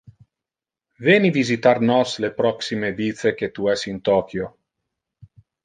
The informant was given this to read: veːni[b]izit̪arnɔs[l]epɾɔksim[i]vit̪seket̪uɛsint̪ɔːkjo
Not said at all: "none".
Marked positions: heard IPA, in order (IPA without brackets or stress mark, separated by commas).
v, l, e